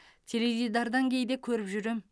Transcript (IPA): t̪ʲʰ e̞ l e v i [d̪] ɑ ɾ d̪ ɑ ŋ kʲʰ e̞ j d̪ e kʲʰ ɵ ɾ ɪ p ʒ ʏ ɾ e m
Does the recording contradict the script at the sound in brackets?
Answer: no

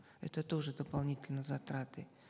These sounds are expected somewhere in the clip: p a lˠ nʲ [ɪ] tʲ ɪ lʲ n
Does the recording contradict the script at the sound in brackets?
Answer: yes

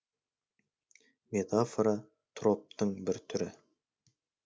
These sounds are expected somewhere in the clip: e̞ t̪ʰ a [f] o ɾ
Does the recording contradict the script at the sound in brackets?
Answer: no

